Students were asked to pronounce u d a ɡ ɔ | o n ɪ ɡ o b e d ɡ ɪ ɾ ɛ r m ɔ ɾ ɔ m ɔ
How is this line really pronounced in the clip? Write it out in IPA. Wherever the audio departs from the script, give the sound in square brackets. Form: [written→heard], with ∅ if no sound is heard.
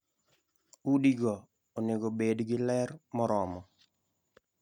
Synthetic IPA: u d [a→i] ɡ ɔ | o n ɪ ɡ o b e d ɡ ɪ [ɾ→l] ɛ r m ɔ ɾ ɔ m ɔ